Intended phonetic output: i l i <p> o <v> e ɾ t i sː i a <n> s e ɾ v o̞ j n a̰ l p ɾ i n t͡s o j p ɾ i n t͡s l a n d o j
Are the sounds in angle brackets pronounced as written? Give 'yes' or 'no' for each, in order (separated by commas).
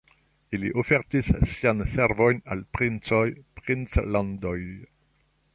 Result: no, no, yes